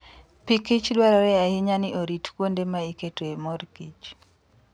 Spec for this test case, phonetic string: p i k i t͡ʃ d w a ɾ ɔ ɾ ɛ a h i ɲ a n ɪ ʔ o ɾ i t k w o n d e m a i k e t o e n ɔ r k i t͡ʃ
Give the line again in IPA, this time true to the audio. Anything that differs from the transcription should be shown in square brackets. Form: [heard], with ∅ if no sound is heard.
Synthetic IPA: p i k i t͡ʃ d w a ɾ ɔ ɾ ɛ a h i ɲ a n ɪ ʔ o ɾ i t k w o n d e m a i k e t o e [m] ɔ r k i t͡ʃ